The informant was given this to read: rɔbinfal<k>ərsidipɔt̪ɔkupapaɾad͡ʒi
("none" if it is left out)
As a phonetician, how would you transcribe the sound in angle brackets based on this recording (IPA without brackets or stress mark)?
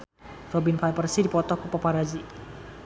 p